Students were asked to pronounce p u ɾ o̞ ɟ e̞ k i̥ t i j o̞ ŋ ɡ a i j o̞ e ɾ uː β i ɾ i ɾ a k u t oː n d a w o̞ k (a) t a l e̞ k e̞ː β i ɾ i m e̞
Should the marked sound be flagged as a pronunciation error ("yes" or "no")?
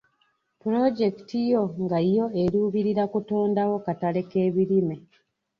no